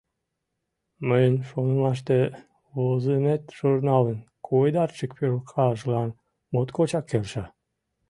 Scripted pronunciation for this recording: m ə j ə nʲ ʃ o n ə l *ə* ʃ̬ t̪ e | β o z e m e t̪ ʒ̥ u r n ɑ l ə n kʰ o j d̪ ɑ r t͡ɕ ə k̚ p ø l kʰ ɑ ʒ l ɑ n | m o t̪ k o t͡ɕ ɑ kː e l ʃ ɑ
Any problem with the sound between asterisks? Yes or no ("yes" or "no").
yes